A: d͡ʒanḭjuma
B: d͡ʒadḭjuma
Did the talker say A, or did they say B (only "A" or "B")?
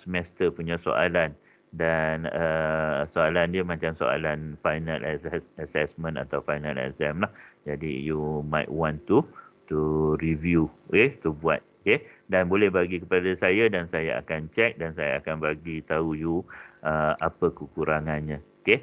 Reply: B